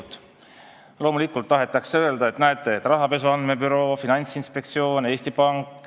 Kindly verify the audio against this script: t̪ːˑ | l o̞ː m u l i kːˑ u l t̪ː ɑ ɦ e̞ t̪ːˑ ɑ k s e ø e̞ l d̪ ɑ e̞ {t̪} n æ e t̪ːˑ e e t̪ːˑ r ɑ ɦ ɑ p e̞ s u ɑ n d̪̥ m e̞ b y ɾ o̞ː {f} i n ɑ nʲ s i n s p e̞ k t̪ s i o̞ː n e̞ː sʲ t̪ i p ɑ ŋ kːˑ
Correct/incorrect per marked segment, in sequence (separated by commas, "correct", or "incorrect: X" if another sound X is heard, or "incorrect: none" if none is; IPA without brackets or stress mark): correct, correct